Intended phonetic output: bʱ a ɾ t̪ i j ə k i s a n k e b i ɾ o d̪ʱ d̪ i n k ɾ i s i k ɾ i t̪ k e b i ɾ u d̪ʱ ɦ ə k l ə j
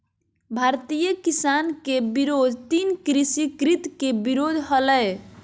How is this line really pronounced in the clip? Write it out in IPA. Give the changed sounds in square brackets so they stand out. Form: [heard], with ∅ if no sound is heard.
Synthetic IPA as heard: bʱ a ɾ t̪ i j ə k i s a n k e b i ɾ o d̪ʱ [t̪] i n k ɾ i s i k ɾ i t̪ k e b i ɾ [o] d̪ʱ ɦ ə [∅] l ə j